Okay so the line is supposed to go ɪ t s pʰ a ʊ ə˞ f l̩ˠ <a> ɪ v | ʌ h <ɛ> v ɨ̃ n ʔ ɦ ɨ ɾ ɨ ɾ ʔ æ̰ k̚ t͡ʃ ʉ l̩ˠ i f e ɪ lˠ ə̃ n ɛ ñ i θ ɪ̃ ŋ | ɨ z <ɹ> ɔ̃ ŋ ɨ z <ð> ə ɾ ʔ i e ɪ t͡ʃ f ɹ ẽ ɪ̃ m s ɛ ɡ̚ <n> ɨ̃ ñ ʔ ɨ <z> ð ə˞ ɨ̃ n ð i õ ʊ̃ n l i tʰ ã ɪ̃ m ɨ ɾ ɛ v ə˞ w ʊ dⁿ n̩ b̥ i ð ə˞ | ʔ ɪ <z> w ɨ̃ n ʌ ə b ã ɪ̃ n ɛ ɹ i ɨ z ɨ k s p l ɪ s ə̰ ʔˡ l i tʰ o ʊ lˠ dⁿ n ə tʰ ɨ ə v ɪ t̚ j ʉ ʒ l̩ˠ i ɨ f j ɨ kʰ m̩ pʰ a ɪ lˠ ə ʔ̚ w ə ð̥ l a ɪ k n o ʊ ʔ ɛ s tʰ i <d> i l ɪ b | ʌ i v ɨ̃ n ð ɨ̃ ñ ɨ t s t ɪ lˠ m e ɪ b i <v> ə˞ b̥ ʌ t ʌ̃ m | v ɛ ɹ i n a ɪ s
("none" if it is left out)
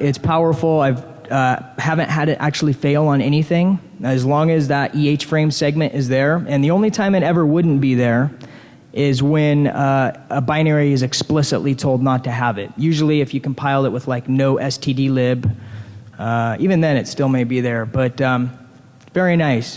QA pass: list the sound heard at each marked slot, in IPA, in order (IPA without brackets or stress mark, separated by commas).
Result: a, æ, l, ð, m, z, z, d, ð